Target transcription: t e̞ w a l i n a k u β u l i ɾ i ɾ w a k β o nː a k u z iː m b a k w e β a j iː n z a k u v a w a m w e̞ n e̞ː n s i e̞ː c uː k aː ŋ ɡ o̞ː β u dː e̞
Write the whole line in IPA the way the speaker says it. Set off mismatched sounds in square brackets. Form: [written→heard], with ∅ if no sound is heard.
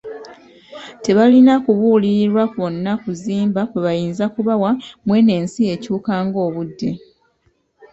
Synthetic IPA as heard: t e̞ [w→β] a l i n a k u β u l i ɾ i ɾ w a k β o nː a k u z iː m b a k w e β a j iː n z a k u [v→β] a w a m w e̞ n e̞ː n s i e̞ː c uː k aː ŋ ɡ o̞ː β u dː e̞